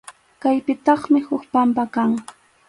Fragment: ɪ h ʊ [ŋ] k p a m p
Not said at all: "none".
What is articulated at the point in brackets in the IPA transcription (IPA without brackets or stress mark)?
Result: none